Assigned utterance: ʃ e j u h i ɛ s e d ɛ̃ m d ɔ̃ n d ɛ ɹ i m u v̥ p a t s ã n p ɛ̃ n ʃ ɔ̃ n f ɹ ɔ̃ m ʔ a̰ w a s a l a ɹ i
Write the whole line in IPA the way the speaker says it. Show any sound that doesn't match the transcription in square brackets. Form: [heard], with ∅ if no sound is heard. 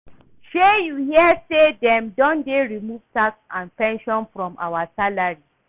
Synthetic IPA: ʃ e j u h i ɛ s e d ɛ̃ m d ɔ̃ n d [e] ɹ i m u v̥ [t] a [k] s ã n p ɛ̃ n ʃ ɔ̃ n f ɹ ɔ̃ m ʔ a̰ w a s a l a ɹ i